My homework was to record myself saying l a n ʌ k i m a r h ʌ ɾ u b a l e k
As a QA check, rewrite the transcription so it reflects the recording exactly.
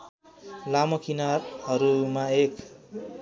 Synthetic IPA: l a m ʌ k i n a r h ʌ ɾ u m a e k